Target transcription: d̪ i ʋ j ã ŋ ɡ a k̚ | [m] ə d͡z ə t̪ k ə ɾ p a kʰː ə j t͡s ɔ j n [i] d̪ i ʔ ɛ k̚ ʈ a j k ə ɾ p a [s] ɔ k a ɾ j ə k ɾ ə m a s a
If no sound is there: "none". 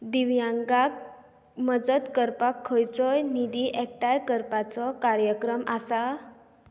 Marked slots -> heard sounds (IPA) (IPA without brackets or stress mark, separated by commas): m, i, t͡s